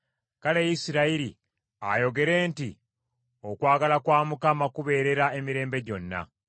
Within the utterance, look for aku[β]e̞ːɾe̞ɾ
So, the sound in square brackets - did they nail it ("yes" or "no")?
yes